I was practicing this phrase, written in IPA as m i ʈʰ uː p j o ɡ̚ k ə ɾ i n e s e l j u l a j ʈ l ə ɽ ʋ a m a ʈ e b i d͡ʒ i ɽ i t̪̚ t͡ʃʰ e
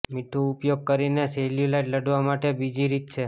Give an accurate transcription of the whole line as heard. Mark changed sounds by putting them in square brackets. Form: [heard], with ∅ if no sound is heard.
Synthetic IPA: m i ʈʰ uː p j o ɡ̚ k ə ɾ i n e s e l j u l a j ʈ l ə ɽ ʋ a m a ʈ e b i d͡ʒ i [ɾ] i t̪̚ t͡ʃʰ e